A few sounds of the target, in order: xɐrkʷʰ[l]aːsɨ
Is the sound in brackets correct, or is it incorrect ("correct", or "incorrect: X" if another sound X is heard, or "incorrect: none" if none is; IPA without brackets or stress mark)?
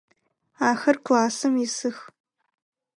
correct